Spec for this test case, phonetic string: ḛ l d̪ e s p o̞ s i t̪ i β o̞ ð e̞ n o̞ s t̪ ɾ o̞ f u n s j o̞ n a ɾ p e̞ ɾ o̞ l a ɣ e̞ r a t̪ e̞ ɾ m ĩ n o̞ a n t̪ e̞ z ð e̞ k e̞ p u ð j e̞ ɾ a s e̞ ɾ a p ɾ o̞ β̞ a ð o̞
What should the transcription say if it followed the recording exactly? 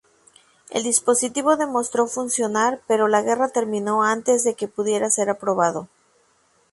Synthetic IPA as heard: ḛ l d̪ i s p o̞ s i t̪ i β o̞ ð e̞ m o̞ s t̪ ɾ o̞ f u n s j o̞ n a ɾ p e̞ ɾ o̞ l a ɣ e̞ r a t̪ e̞ ɾ m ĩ n o̞ a n t̪ e̞ z ð e̞ k e̞ p u ð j e̞ ɾ a s e̞ ɾ a p ɾ o̞ β̞ a ð o̞